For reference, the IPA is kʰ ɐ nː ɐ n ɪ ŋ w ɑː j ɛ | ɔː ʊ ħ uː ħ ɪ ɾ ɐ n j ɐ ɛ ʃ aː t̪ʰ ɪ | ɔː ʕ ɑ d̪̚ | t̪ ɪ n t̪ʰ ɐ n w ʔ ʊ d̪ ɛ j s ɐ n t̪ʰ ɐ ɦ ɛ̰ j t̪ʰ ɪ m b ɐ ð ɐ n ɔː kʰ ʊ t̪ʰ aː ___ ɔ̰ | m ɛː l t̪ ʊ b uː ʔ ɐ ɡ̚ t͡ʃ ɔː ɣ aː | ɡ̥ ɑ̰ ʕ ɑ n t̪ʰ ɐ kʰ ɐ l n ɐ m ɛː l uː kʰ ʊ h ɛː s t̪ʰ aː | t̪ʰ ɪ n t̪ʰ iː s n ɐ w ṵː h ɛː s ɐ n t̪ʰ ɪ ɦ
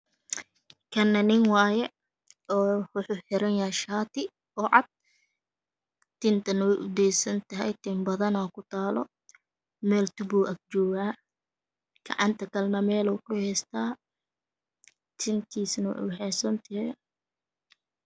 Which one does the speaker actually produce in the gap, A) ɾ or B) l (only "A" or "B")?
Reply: B